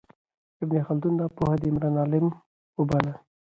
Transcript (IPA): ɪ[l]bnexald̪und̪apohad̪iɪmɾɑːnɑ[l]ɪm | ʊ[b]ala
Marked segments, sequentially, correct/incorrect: incorrect, correct, correct

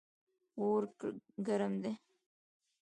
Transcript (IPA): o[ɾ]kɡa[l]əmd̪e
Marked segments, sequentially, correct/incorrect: correct, incorrect

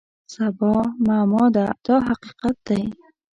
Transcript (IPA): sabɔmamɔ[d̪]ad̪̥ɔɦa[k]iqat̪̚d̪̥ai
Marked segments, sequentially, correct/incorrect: correct, incorrect

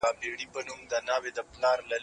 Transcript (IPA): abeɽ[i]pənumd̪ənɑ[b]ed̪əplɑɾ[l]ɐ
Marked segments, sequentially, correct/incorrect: correct, incorrect, correct

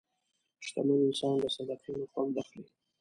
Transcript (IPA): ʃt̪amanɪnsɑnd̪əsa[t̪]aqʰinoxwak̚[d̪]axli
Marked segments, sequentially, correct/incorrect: incorrect, correct

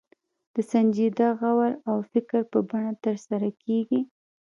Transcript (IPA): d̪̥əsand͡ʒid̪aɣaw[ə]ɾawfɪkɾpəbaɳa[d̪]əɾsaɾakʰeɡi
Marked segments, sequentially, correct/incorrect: incorrect, incorrect

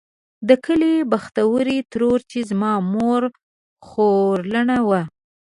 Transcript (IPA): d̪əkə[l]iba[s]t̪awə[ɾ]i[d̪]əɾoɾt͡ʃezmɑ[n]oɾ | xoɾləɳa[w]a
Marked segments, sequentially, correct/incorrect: correct, incorrect, correct, incorrect, incorrect, correct

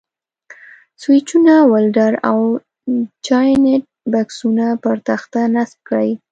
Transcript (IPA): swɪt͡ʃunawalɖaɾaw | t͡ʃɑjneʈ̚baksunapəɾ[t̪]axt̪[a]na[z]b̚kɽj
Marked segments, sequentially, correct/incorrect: correct, correct, incorrect

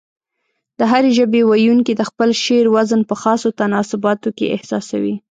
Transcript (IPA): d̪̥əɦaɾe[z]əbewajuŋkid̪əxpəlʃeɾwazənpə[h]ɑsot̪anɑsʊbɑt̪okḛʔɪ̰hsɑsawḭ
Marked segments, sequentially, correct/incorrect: incorrect, incorrect

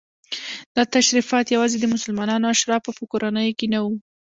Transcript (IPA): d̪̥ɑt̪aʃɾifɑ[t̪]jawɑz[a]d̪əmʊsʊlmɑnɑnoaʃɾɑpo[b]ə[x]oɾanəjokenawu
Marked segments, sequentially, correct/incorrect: correct, incorrect, incorrect, incorrect

